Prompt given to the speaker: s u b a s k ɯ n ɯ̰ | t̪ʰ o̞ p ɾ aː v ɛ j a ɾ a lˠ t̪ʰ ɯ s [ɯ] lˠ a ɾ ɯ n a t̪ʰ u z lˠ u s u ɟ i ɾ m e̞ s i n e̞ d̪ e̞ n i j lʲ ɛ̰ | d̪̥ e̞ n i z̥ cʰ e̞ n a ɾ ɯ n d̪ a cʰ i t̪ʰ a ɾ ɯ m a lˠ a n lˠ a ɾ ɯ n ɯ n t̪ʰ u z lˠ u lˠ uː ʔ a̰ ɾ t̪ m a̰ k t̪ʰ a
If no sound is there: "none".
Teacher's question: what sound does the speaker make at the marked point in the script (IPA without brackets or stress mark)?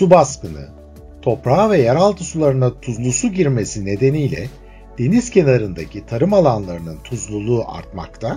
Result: u